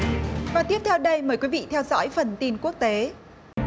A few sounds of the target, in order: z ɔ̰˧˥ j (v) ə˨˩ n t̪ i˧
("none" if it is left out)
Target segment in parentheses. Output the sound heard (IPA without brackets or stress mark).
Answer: f